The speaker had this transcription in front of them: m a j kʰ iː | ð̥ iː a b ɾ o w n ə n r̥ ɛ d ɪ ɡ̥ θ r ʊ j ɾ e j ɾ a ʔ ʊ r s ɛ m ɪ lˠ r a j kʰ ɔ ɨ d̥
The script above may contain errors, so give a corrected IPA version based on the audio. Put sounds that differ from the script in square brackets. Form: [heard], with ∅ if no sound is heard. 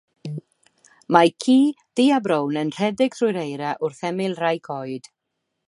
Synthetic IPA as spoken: m a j kʰ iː | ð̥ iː a b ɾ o w n ə n r̥ ɛ d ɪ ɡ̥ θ r ʊ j ɾ e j ɾ a ʔ ʊ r [θ] ɛ m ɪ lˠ r a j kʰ ɔ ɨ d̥